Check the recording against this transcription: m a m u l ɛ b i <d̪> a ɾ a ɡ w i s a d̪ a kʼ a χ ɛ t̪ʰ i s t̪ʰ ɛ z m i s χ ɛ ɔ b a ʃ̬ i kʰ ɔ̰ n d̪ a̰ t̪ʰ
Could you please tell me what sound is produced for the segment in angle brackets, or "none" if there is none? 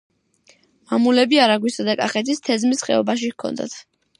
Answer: none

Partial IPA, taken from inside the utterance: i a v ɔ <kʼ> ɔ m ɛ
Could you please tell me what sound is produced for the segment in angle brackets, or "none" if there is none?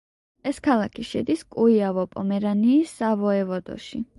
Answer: pʼ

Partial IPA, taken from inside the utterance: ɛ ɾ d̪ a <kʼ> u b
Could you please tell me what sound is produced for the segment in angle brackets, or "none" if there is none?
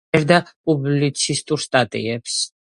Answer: pʼ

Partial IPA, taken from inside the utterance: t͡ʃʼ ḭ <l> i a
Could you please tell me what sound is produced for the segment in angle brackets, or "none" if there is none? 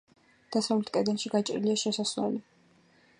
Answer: l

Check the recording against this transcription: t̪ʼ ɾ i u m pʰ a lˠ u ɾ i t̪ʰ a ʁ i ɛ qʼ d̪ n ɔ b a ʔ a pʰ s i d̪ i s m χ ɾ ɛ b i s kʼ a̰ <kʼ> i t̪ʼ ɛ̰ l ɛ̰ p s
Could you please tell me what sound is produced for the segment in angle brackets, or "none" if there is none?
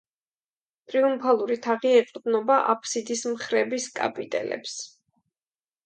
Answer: pʼ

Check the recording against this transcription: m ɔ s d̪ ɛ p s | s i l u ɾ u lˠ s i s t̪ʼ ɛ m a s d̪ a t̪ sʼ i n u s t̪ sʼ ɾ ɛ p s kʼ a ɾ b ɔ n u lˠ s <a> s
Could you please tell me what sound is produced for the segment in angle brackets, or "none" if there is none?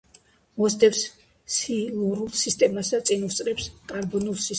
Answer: i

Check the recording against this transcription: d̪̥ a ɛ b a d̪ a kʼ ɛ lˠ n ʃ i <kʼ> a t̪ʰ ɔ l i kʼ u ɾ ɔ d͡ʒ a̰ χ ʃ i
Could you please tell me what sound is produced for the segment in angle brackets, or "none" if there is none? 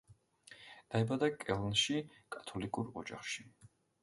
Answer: kʼ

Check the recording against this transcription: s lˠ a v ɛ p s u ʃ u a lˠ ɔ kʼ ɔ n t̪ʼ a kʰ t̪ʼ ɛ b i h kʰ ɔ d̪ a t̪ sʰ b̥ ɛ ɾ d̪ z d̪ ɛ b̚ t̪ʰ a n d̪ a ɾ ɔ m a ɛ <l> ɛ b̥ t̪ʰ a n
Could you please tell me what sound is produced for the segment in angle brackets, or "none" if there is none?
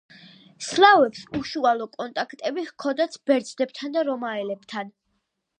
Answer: l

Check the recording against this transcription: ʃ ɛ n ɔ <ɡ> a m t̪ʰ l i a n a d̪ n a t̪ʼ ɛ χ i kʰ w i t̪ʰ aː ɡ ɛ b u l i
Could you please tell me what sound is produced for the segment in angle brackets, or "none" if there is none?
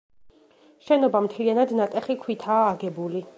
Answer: b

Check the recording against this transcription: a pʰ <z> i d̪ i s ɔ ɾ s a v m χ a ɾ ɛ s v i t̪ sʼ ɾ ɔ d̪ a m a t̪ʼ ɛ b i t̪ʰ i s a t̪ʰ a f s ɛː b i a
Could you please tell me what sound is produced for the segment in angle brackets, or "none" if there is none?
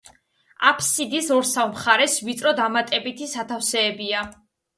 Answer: s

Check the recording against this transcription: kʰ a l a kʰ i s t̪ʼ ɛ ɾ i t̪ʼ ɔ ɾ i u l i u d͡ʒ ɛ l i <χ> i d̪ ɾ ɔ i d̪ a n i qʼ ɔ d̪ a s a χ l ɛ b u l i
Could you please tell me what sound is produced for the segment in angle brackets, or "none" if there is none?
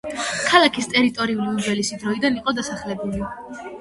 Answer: s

